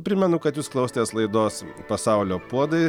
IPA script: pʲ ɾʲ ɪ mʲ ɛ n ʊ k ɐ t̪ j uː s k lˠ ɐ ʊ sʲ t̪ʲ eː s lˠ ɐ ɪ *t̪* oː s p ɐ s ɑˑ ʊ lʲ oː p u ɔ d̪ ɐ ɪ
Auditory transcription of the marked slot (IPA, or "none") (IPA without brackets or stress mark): d̪